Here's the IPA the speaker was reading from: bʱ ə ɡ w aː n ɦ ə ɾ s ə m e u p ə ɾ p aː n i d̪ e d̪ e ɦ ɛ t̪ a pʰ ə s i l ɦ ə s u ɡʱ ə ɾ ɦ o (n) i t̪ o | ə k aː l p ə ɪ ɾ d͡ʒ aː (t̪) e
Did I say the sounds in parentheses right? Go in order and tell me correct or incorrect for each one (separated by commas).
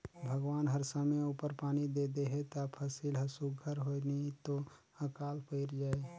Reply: correct, incorrect